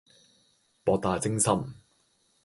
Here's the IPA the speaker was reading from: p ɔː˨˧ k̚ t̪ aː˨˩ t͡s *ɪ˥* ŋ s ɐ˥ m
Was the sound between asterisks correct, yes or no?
yes